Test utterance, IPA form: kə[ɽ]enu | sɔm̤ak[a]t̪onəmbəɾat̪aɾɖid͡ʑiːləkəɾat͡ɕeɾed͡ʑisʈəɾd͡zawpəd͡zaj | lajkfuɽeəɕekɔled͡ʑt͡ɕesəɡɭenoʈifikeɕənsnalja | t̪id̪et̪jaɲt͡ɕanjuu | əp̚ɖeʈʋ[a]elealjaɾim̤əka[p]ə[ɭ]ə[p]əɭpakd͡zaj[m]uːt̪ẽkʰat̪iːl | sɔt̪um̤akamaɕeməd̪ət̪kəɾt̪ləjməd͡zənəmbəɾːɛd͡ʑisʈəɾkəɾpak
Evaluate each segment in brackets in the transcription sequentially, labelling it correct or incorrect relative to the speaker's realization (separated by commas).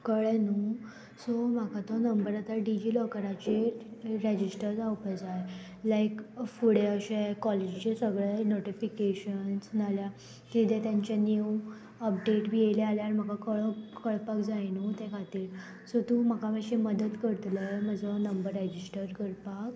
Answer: incorrect, correct, incorrect, incorrect, correct, incorrect, incorrect